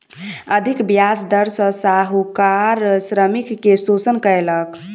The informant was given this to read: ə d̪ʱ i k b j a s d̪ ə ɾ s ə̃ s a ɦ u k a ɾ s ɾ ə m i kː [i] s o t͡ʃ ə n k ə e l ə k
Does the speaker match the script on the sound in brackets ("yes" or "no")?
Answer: no